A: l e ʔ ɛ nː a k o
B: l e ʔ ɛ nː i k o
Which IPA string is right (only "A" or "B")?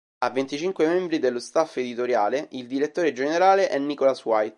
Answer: B